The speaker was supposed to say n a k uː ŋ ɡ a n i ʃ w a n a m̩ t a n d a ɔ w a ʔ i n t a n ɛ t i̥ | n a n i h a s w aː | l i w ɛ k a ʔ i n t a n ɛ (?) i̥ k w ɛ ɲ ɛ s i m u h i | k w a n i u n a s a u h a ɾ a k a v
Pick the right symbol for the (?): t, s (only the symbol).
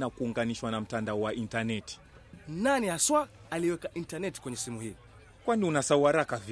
t